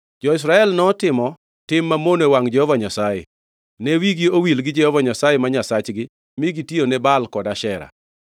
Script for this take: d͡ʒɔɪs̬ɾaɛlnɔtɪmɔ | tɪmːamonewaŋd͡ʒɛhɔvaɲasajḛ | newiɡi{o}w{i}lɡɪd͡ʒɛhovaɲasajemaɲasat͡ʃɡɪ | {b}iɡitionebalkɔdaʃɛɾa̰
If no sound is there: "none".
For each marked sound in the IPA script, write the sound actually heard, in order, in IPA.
o, i, m

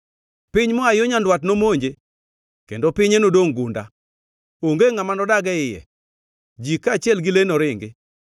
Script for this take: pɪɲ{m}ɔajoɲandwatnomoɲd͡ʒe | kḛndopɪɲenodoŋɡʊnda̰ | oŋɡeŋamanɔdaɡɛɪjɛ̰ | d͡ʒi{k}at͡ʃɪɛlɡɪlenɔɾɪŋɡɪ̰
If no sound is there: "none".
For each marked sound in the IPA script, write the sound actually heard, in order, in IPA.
m, k

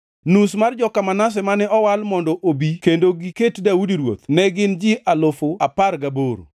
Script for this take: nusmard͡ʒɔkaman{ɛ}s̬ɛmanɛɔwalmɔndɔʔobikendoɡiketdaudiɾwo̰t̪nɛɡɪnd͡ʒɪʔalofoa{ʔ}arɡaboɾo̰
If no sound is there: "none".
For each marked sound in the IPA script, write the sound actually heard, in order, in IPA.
a, p

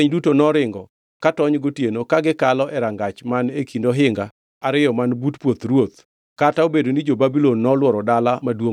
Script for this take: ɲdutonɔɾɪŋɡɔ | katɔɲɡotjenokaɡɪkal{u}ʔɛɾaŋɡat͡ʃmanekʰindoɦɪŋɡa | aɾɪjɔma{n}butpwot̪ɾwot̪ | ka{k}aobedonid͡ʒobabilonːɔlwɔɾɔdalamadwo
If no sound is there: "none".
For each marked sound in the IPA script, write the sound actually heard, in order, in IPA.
ɔ, n, t

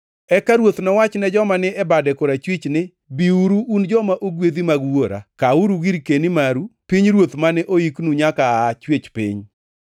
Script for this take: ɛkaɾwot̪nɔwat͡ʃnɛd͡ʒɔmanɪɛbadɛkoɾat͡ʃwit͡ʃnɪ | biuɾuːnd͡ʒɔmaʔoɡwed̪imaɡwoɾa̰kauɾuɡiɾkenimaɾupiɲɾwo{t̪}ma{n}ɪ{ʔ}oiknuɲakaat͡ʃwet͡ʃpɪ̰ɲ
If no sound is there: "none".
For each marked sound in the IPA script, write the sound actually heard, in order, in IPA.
t̪, n, ʔ

